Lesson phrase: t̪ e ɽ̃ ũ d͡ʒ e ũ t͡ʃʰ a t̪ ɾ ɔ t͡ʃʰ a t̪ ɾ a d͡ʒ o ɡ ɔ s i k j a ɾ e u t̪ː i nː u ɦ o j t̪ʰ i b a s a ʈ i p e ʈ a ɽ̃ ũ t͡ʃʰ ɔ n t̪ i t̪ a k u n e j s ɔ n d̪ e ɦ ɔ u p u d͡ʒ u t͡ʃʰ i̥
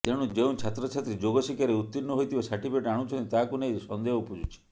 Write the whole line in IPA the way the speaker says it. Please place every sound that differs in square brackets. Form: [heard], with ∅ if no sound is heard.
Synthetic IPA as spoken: t̪ e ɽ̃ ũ d͡ʒ e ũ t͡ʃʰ a t̪ ɾ ɔ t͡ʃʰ a t̪ ɾ [i] d͡ʒ o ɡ ɔ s i k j a ɾ e u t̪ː i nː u ɦ o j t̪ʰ i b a s a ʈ i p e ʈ a ɽ̃ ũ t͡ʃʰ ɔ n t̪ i t̪ a k u n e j s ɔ n d̪ e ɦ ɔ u p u d͡ʒ u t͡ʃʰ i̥